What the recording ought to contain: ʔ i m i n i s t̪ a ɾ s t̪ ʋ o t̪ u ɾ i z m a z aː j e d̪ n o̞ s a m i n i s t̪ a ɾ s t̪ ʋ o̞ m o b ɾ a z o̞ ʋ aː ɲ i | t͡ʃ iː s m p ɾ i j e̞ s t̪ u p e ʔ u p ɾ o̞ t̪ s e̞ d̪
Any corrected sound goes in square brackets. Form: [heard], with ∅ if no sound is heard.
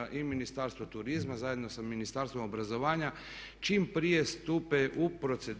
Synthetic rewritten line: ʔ i m i n i s t̪ a ɾ s t̪ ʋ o t̪ u ɾ i z m a z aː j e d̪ n o̞ s a m i n i s t̪ a ɾ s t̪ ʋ o̞ m o b ɾ a z o̞ ʋ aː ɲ [a] | t͡ʃ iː [∅] m p ɾ i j e̞ s t̪ u p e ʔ u p ɾ o̞ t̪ s e̞ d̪